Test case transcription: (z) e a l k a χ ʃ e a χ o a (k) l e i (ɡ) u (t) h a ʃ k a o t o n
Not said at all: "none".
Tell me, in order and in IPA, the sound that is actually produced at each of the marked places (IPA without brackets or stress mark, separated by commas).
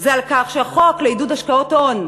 z, k, d, d